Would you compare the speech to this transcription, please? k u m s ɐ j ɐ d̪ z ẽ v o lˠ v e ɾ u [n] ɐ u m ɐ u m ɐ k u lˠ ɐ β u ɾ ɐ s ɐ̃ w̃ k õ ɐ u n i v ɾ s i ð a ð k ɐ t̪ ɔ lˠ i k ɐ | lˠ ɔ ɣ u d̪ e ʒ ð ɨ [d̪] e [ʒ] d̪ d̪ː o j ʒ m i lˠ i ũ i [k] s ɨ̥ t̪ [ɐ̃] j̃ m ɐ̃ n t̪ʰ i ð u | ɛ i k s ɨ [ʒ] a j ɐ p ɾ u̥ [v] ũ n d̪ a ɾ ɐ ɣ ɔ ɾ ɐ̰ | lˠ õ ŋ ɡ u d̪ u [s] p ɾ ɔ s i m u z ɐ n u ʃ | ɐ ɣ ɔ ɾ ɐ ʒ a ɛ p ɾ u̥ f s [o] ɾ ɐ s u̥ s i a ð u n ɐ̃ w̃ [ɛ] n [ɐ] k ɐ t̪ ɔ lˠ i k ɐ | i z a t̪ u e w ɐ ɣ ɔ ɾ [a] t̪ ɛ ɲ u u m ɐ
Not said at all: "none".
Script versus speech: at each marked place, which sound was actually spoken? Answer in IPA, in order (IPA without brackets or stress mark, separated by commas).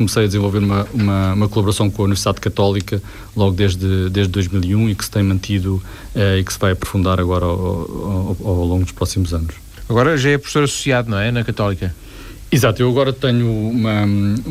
m, d̪, ʒ, k, ɐ̃, v, f, ʃ, o, ɛ, ɐ, ɐ